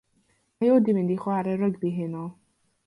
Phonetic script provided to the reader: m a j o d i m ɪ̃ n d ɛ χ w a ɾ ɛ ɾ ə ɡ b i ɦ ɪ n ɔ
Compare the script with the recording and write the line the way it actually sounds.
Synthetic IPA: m a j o d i m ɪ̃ n d i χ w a ɾ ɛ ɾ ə ɡ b i ɦ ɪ n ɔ